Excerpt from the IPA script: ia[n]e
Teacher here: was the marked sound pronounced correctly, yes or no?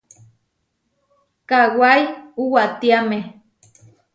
no